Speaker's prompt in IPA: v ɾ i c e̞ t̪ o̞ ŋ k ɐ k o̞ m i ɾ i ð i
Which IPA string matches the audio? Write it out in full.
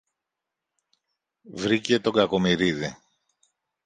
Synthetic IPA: v ɾ i c e̞ t̪ o̞ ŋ ɡ ɐ k o̞ m i ɾ i ð i

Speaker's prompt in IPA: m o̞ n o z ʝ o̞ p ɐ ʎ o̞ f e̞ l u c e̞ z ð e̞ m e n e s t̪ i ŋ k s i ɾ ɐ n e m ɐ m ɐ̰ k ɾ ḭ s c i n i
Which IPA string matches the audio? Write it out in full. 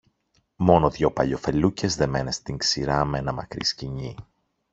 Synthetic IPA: m o̞ n o ð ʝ o̞ p ɐ ʎ o̞ f e̞ l u c e̞ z ð e̞ m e n e s t̪ i ŋ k s i ɾ ɐ m e n ɐ m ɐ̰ k ɾ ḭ s c i ɲ i

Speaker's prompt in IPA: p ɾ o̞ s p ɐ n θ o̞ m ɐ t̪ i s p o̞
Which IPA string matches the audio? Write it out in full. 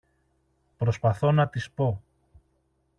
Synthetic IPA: p ɾ o̞ s p ɐ θ o̞ n ɐ t̪ i s p o̞

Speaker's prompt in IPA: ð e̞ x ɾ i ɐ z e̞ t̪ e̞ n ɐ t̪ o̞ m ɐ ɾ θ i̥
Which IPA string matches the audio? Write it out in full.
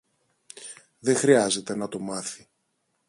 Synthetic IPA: ð e̞ x ɾ i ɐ z e̞ t̪ e̞ n ɐ t̪ o̞ m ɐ θ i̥

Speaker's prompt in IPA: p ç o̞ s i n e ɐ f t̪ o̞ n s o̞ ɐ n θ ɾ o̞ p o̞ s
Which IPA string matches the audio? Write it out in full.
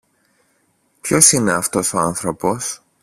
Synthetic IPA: p ç o̞ s i n e ɐ f t̪ o̞ s o̞ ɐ n θ ɾ o̞ p o̞ s

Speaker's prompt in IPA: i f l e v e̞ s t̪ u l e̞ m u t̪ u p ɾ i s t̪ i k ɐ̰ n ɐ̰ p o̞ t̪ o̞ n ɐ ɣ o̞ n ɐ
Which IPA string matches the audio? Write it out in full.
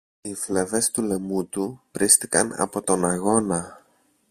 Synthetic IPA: i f l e v e̞ s t̪ u l e̞ m u t̪ u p ɾ i s t̪ i k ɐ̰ n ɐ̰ p o̞ t̪ o̞ n ɐ ɣ o̞ n ɐ

